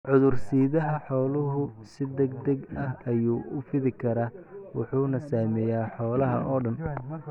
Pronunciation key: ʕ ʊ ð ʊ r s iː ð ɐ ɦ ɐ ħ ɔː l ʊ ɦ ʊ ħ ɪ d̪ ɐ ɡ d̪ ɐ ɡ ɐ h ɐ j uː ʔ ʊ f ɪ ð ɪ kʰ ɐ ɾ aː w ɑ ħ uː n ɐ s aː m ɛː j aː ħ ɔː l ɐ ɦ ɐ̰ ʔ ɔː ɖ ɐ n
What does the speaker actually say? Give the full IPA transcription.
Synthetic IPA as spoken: ʕ ʊ ð ʊ r s iː ð ɐ ɦ ɐ ħ ɔː l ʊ ɦ ʊ s ɪ d̪ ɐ ɡ d̪ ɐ ɡ ɐ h ɐ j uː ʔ ʊ f ɪ ð ɪ kʰ ɐ ɾ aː w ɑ ħ uː n ɐ s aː m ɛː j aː ħ ɔː l ɐ ɦ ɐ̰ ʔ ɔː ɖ ɐ n